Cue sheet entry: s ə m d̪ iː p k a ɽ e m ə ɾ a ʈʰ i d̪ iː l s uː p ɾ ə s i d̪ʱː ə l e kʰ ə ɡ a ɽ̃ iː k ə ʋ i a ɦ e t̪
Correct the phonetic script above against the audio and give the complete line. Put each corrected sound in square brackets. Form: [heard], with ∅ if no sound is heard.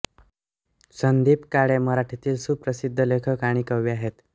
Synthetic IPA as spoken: s ə [n] d̪ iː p k a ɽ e m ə ɾ a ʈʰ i [t̪] iː l s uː p ɾ ə s i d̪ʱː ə l e kʰ ə [k] a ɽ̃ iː k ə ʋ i a ɦ e t̪